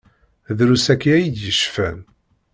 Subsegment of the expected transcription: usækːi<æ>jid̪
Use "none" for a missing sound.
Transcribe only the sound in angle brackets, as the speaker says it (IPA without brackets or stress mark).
æ